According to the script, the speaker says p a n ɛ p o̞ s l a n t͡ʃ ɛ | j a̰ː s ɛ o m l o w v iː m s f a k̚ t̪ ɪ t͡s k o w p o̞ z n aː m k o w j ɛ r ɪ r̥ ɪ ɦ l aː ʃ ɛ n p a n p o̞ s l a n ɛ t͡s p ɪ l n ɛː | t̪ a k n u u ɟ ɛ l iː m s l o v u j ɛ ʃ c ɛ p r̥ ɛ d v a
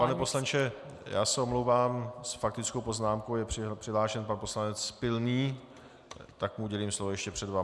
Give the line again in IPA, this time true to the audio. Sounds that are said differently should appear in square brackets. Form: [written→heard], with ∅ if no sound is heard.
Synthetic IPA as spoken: p a n ɛ p o̞ s l a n t͡ʃ ɛ | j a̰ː s ɛ o m l o w v [iː→aː] m s f a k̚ t̪ ɪ t͡s k o w p o̞ z n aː m k o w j ɛ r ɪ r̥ ɪ ɦ l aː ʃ ɛ n p a n p o̞ s l a n ɛ t͡s p ɪ l n [ɛː→iː] | t̪ a k [n→m] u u ɟ ɛ l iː m s l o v [u→o] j ɛ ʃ c ɛ p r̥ ɛ d v a

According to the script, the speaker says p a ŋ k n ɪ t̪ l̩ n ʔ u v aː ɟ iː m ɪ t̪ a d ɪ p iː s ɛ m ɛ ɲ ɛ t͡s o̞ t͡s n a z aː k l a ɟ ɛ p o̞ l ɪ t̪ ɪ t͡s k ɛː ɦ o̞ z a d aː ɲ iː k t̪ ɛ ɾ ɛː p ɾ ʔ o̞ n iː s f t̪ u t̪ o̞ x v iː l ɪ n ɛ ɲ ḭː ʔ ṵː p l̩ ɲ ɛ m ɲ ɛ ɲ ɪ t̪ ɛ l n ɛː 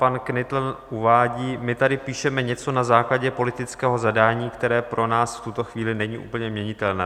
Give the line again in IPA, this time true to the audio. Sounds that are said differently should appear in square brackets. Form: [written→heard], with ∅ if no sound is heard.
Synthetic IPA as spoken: p a [ŋ→n] k n ɪ t̪ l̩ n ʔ u v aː ɟ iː m ɪ t̪ a d ɪ p iː [s→ʃ] ɛ m ɛ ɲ ɛ t͡s o̞ [t͡s→∅] n a z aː k l a ɟ ɛ p o̞ l ɪ t̪ ɪ t͡s k ɛː ɦ o̞ z a d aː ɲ iː k t̪ ɛ ɾ ɛː p ɾ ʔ o̞ n [iː→aː] s f t̪ u t̪ o̞ x v iː l ɪ n ɛ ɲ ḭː ʔ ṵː p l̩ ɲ ɛ m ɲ ɛ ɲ ɪ t̪ ɛ l n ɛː

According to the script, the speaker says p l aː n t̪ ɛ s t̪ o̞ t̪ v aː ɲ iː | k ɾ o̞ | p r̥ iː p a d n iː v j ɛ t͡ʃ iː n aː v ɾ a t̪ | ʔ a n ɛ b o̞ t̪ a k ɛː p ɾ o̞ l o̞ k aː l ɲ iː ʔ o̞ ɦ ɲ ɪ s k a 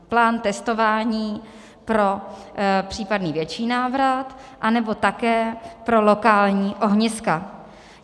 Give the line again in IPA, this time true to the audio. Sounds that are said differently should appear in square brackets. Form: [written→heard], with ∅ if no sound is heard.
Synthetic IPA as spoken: p l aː n t̪ ɛ s t̪ o̞ [t̪→∅] v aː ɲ iː | [k→p] ɾ o̞ | p r̥ iː p a d n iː v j ɛ t͡ʃ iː n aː v ɾ a t̪ | ʔ a n ɛ b o̞ t̪ a k ɛː p ɾ o̞ l o̞ k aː l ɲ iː ʔ o̞ ɦ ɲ ɪ s k a

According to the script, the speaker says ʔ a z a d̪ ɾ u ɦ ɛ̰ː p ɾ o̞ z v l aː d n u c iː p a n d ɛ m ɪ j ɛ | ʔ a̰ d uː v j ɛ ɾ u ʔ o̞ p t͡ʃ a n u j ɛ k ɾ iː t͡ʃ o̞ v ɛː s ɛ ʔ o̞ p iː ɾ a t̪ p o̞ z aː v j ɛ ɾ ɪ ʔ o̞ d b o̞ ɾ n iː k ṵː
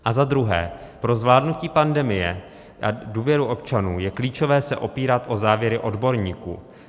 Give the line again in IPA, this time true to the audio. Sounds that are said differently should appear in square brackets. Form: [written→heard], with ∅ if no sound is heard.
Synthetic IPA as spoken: ʔ a z a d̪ ɾ u ɦ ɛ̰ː p ɾ o̞ z v l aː d n u c iː p a n d ɛ m ɪ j ɛ | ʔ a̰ d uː v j ɛ ɾ u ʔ o̞ p t͡ʃ a n [u→uː] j ɛ k [ɾ→l] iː t͡ʃ o̞ v ɛː s ɛ ʔ o̞ p iː ɾ a t̪ [p→ʔ] o̞ z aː v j ɛ ɾ ɪ ʔ o̞ d b o̞ ɾ [n→ɲ] iː k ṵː

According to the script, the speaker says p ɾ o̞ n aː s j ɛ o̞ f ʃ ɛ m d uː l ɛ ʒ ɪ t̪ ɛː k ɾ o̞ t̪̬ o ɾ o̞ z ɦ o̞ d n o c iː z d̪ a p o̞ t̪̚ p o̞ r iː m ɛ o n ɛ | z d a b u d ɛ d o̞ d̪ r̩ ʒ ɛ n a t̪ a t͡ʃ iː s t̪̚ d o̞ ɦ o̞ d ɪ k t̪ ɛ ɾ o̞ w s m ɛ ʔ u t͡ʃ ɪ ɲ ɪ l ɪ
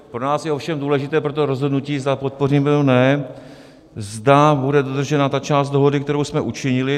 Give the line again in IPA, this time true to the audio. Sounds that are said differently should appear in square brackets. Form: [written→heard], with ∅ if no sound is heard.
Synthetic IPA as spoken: p ɾ o̞ n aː s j ɛ o̞ f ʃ ɛ m d uː l ɛ ʒ ɪ t̪ ɛː [k→p] ɾ o̞ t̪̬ o ɾ o̞ z ɦ o̞ d n [o→u] c iː z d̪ a p o̞ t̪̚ p o̞ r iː m ɛ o n ɛ | z d a b u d ɛ d o̞ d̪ r̩ ʒ ɛ n a t̪ a t͡ʃ [iː→aː] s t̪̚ d o̞ ɦ o̞ d ɪ k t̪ ɛ ɾ o̞ w s m ɛ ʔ u t͡ʃ ɪ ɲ ɪ l ɪ

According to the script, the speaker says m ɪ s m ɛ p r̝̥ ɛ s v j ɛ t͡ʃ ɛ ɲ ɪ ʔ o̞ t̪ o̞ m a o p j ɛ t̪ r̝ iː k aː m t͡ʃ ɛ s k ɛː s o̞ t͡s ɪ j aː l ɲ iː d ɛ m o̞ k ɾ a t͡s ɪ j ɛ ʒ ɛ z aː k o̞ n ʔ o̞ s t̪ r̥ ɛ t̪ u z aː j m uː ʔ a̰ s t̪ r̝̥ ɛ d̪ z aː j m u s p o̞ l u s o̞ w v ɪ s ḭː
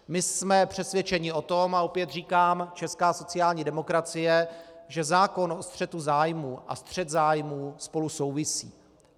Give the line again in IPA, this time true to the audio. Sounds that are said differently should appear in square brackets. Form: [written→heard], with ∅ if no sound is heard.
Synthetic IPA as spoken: m ɪ s m ɛ p r̝̥ ɛ s v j ɛ t͡ʃ ɛ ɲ ɪ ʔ o̞ t̪ o̞ m a o p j ɛ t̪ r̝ iː k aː m t͡ʃ ɛ s k [ɛː→aː] s o̞ t͡s ɪ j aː l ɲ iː d ɛ m o̞ k ɾ a t͡s ɪ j ɛ ʒ ɛ z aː k o̞ n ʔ o̞ s t̪ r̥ ɛ t̪ u z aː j m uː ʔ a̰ s t̪ r̝̥ ɛ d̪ z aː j m [u→uː] s p o̞ l u s o̞ w v ɪ s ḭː

